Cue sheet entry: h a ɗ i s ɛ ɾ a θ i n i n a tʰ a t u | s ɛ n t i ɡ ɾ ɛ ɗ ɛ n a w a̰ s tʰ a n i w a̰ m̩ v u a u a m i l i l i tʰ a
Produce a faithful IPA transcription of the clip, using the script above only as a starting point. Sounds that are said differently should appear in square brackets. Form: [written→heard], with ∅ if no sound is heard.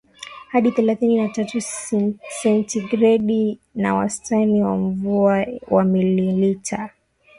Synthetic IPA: h a ɗ i [s→θ] ɛ [ɾ→l] a θ i n i n a [tʰ→t] a t u | s ɛ n t i ɡ ɾ ɛ ɗ [ɛ→i] n a w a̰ s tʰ a n i w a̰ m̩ v u a [u→w] a m i l i l i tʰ a